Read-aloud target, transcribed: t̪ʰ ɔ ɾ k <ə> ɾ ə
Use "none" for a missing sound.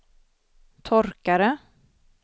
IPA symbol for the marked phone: a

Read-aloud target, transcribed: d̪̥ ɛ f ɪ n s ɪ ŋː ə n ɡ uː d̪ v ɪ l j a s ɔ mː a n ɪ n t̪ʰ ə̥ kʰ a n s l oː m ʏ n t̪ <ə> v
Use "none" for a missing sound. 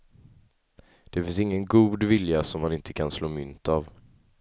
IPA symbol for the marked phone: a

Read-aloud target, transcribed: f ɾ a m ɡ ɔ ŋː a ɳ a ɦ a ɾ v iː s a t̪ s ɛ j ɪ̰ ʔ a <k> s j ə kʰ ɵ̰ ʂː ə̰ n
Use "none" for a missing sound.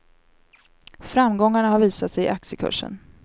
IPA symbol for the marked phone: k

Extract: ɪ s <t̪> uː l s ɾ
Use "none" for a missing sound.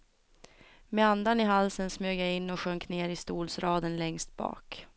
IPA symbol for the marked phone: t̪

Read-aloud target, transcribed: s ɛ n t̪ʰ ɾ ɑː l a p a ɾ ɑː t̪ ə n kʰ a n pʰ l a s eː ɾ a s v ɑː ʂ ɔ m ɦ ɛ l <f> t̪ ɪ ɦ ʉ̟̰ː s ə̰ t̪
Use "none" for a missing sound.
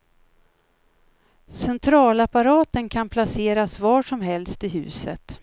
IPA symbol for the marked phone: s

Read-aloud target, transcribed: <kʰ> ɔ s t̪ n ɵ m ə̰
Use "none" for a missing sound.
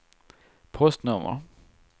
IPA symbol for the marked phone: pʰ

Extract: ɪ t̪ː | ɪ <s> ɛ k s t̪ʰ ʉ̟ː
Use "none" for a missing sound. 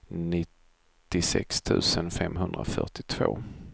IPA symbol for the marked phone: s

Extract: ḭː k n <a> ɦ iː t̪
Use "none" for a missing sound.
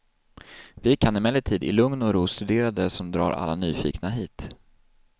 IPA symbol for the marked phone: a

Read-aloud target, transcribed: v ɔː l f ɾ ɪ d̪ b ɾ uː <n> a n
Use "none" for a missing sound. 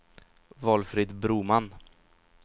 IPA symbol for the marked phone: m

